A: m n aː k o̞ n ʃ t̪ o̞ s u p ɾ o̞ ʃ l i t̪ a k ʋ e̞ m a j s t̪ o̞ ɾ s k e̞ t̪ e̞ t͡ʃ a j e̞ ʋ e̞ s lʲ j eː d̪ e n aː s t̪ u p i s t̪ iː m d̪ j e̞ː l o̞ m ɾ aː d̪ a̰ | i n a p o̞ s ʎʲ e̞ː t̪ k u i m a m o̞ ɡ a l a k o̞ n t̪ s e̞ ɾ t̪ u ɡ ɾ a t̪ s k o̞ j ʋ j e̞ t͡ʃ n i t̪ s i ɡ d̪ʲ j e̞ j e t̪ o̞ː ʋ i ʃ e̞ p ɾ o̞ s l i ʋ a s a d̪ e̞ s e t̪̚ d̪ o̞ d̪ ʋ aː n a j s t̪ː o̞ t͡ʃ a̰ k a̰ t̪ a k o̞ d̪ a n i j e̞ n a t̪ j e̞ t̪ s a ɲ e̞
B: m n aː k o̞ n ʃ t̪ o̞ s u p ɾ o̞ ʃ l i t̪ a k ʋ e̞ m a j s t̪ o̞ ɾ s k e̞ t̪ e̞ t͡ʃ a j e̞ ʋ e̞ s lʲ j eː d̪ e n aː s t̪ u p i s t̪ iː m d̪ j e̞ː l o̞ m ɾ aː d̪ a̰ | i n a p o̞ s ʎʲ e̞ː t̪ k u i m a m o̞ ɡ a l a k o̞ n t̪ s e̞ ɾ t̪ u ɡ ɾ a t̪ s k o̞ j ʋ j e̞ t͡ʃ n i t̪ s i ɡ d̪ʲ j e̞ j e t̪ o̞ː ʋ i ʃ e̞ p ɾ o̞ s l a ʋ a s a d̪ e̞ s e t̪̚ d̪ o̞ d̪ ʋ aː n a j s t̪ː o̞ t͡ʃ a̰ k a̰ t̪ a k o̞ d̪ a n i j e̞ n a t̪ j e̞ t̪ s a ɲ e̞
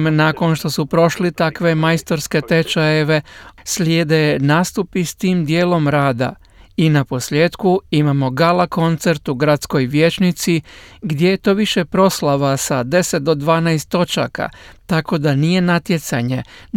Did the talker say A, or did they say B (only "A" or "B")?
B